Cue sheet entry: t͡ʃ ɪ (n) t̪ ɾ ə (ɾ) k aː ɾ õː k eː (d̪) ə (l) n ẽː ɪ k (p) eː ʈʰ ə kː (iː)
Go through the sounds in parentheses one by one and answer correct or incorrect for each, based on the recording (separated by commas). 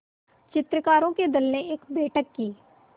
incorrect, incorrect, correct, correct, incorrect, correct